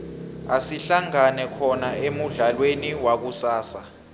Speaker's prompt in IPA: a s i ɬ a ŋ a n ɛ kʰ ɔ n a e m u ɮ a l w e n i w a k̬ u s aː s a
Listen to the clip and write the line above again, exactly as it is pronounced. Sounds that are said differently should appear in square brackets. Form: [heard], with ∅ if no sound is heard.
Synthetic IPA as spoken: a s i ɬ a ŋ a n ɛ kʰ ɔ n a e m u ɮ a l w e n i w a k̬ u s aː s a